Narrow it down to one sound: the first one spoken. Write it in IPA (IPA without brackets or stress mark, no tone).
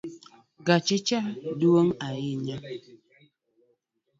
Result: ɡ